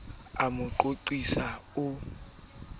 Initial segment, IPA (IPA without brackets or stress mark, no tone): a